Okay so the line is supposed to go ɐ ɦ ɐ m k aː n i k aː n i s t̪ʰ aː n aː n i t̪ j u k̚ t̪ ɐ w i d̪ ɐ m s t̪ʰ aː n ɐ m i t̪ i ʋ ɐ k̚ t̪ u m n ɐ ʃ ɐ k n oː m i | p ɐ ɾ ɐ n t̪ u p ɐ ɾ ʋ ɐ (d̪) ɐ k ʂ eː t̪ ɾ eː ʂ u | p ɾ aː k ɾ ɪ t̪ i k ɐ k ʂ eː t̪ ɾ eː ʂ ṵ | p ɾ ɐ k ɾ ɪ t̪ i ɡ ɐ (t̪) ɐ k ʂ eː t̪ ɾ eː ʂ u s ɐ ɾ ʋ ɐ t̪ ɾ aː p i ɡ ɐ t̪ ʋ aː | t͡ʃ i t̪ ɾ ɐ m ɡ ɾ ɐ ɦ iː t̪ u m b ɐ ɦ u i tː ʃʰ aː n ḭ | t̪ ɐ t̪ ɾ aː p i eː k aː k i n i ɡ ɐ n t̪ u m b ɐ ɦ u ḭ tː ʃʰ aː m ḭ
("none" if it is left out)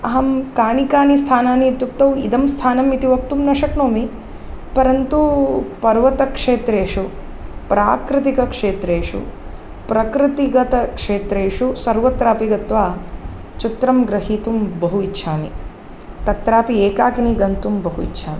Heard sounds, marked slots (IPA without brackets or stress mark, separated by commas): t̪, t̪